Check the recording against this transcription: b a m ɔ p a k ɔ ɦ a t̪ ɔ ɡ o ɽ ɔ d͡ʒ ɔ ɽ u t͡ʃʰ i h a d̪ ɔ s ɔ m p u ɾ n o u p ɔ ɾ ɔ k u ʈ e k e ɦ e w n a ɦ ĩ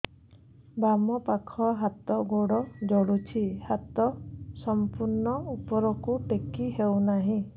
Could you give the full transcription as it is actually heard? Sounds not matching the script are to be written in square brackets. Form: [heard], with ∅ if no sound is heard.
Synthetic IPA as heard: b a m ɔ p a [kʰ] ɔ ɦ a t̪ ɔ ɡ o ɽ ɔ d͡ʒ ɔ ɽ u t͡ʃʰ i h a [t̪] ɔ s ɔ m p u ɾ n [ɔ] u p ɔ ɾ ɔ k u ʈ e k [i] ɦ e w n a ɦ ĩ